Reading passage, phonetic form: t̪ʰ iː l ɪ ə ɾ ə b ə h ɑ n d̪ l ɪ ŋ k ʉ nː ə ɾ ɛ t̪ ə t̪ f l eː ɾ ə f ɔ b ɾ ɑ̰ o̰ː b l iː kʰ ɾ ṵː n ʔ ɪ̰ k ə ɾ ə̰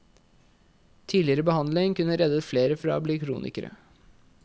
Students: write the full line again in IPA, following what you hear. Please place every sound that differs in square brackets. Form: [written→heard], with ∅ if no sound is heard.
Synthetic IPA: t̪ʰ iː l ɪ ə ɾ ə b ə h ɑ n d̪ l ɪ ŋ k ʉ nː ə ɾ ɛ [t̪→d̪] ə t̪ f l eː ɾ ə f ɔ [b→∅] ɾ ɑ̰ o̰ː b l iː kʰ ɾ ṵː n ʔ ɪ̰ k ə ɾ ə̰